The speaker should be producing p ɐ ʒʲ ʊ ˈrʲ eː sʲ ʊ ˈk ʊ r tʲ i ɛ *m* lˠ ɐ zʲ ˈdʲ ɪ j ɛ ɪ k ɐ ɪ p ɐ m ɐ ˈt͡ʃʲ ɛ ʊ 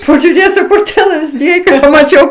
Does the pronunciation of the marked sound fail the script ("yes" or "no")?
yes